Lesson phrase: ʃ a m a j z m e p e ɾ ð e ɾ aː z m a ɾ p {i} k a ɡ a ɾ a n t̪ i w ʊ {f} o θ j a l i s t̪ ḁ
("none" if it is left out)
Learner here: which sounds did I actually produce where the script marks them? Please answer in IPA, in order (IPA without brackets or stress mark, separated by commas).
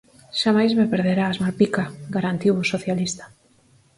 i, s